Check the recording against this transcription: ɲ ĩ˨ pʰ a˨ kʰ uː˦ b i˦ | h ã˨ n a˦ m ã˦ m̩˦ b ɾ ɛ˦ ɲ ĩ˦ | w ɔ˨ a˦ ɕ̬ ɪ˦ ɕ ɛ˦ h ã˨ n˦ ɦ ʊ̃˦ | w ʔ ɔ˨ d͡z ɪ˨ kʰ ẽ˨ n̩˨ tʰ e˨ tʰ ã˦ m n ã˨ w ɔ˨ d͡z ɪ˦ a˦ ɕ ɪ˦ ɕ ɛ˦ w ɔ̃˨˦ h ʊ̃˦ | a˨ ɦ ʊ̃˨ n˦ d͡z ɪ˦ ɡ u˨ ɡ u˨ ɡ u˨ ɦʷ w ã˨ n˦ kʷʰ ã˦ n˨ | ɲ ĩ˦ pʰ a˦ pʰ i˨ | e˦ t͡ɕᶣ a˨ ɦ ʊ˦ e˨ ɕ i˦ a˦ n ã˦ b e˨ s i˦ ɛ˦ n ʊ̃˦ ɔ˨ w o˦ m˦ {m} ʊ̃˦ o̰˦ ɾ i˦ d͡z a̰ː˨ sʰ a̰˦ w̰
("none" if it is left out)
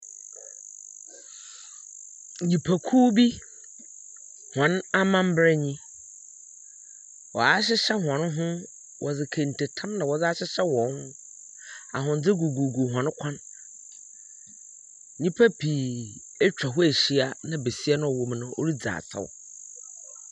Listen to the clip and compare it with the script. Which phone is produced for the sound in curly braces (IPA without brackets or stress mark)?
n